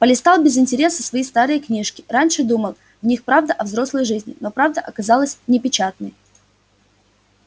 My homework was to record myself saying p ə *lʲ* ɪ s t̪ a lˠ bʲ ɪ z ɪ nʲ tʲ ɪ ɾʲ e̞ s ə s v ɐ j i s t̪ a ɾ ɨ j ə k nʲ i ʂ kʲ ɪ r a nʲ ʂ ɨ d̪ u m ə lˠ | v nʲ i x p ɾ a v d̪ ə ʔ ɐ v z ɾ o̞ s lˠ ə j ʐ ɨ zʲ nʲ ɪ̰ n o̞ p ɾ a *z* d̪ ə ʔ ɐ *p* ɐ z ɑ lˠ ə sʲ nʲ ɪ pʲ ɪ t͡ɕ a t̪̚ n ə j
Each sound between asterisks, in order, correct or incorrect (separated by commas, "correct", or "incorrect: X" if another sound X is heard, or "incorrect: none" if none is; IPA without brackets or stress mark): correct, incorrect: v, incorrect: k